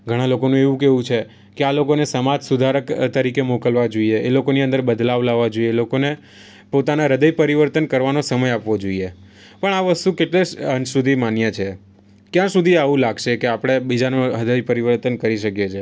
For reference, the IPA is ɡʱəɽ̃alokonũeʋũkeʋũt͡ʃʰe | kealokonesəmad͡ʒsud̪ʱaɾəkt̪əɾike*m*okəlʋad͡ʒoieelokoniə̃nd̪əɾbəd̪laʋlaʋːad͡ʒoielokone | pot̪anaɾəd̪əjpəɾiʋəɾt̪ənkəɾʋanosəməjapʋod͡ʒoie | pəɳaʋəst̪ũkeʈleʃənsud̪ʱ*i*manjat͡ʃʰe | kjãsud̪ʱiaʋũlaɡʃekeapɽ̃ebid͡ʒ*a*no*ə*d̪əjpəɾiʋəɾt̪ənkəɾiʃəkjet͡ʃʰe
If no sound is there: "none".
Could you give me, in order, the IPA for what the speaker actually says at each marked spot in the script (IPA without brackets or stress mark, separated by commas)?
m, i, a, ə